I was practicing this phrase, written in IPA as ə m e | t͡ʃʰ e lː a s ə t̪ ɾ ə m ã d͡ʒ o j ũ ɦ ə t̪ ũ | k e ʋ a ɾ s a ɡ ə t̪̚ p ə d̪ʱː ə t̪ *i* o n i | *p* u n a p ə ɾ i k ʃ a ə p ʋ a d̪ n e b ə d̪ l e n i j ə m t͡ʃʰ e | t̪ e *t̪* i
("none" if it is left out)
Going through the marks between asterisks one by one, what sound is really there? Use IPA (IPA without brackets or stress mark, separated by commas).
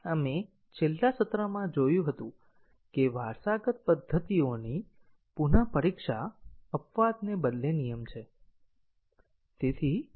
i, p, t̪ʰ